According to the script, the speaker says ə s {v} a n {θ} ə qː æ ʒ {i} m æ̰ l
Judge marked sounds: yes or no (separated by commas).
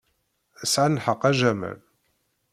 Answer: no, no, no